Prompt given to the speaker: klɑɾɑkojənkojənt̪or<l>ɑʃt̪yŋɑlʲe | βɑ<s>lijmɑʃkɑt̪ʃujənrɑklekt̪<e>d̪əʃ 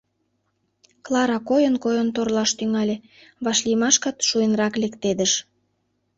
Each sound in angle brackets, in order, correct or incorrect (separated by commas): correct, incorrect, correct